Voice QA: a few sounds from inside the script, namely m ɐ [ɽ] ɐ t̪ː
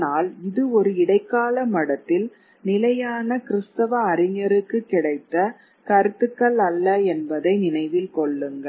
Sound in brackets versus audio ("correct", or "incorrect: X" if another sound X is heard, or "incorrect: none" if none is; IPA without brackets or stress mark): correct